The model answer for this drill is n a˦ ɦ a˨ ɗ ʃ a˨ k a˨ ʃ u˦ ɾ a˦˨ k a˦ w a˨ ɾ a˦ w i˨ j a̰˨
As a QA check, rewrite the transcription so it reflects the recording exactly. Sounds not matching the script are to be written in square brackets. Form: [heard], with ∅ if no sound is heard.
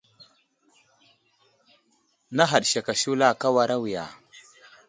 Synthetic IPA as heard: n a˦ ɦ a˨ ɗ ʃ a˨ k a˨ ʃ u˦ [l] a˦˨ k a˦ w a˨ ɾ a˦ w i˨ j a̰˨